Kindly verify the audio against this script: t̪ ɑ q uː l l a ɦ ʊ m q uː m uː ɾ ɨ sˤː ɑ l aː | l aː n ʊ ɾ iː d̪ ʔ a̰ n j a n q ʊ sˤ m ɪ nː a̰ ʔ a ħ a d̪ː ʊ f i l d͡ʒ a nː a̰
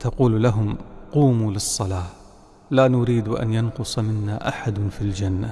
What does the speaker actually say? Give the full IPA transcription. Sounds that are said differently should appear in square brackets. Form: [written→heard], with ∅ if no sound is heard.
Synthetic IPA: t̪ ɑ q uː l l a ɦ ʊ m q uː m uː [ɾ→l] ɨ sˤː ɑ l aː | l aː n ʊ ɾ iː d̪ ʔ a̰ n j a n q ʊ sˤ m ɪ nː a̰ ʔ a ħ a [d̪ː→d̪] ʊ f i l d͡ʒ a nː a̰